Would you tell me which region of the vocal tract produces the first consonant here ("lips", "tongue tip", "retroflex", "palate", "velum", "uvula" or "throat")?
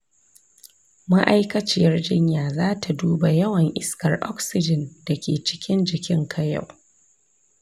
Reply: lips